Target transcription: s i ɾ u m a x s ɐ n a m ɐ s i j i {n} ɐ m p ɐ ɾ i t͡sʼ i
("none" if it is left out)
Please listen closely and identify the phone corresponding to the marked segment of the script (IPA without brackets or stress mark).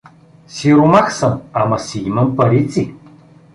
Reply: m